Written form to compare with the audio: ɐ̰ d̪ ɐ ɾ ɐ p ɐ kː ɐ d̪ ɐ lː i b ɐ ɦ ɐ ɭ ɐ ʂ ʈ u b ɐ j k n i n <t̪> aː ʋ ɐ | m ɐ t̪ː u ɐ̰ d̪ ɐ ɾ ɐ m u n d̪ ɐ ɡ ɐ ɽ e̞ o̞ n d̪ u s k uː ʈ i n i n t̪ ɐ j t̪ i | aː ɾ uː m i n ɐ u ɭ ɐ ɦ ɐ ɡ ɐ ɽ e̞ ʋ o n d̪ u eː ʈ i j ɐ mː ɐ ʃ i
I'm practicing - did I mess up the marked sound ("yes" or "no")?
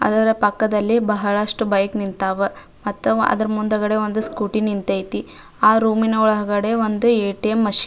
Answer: no